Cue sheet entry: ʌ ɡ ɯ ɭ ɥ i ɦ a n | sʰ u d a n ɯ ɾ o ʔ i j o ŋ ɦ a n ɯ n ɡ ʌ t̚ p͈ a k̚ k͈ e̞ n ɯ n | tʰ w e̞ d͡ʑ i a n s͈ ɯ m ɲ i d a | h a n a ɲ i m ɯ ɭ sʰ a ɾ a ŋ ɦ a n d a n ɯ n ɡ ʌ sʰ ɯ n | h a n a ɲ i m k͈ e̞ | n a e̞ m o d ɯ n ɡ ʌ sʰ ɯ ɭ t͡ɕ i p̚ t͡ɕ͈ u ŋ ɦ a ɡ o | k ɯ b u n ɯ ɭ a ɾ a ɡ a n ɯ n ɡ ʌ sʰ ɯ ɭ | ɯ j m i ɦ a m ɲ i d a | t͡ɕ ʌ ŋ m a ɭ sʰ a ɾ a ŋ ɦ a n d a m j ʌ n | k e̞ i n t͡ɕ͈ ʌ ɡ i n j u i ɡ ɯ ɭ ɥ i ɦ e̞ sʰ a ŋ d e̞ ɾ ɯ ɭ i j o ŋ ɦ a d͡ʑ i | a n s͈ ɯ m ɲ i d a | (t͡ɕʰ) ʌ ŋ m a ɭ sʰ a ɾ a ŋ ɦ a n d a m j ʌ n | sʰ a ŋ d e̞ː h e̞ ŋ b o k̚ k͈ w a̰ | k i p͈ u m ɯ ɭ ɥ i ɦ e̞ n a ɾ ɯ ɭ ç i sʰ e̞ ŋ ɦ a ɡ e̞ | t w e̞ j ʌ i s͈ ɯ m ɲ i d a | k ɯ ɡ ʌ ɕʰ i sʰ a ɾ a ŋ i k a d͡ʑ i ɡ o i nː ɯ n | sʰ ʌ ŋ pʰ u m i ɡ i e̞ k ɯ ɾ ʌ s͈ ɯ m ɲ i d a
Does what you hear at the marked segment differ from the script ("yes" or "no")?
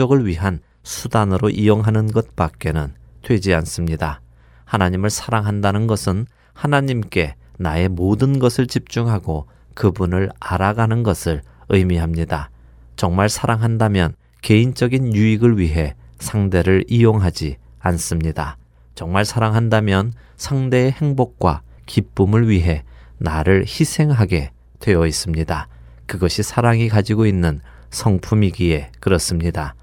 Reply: yes